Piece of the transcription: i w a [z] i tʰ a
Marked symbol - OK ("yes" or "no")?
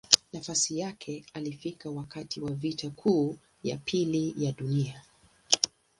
no